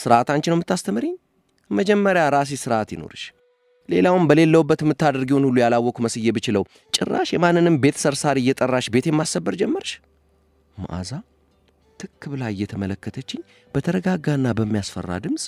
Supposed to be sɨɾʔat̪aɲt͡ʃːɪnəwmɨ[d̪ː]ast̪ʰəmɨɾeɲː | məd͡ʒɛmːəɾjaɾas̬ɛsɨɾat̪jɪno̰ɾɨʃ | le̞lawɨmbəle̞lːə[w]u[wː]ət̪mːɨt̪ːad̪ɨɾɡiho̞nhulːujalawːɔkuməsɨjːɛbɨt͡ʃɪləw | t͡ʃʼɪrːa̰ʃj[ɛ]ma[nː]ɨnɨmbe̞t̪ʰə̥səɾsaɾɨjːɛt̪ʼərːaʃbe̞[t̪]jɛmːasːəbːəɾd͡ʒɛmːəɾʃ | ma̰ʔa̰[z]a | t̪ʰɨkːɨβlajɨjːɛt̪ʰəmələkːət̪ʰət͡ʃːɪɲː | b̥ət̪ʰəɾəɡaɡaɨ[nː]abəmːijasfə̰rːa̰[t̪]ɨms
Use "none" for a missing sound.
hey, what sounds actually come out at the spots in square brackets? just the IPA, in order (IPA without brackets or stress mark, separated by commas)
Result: t̪ː, w, bː, ɛ, nː, t̪, z, nː, d̪